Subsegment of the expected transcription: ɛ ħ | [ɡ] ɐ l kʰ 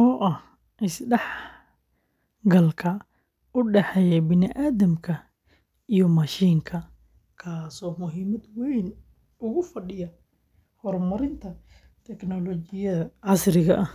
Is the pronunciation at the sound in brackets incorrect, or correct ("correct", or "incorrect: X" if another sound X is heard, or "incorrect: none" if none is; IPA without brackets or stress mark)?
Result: correct